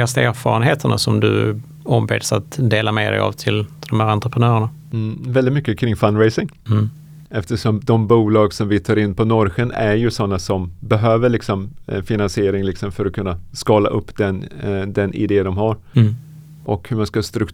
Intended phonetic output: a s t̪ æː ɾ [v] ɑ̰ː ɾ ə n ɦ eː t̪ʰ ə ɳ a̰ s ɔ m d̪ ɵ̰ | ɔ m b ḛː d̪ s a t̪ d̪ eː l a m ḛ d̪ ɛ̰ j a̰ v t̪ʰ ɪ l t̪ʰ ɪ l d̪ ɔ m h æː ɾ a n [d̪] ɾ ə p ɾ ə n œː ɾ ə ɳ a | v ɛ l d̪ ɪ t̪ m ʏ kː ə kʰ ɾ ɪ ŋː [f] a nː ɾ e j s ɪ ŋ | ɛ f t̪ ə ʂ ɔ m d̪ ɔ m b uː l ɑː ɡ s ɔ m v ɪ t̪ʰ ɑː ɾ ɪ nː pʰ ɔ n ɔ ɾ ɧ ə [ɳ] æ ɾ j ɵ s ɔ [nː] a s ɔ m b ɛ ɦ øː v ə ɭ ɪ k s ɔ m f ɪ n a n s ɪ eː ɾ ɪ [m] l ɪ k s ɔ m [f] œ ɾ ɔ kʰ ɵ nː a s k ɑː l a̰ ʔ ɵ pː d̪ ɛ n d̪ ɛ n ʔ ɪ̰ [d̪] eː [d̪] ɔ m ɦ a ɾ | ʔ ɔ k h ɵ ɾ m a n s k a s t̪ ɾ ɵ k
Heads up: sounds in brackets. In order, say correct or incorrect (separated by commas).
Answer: incorrect, incorrect, correct, incorrect, correct, incorrect, correct, correct, correct